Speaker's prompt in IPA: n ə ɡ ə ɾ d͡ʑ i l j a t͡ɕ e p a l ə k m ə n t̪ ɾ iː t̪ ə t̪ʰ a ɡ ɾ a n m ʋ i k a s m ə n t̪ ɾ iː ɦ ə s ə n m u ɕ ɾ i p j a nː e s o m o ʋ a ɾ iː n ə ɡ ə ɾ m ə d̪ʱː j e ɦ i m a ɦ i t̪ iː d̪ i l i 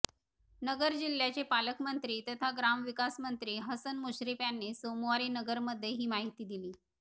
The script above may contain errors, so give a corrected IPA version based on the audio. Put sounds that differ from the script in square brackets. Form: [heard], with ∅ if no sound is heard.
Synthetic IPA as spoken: n ə ɡ ə ɾ d͡ʑ i l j a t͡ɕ e p a l ə k m ə n t̪ ɾ iː t̪ ə t̪ʰ a ɡ ɾ a [∅] m ʋ i k a s m ə n t̪ ɾ iː ɦ ə s ə n m u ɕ ɾ i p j a nː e s o m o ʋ a ɾ iː n ə ɡ ə ɾ m ə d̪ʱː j e ɦ [iː] m a ɦ i t̪ iː d̪ i l [iː]